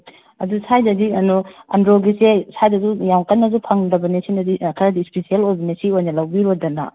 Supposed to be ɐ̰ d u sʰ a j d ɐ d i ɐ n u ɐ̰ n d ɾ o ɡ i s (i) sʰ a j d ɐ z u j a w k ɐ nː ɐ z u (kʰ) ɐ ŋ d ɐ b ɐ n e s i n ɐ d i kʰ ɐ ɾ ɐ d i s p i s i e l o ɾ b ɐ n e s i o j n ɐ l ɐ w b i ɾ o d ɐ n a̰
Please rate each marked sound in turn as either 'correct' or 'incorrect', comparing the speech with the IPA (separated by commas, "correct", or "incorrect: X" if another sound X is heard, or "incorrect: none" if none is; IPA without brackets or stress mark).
incorrect: e, incorrect: pʰ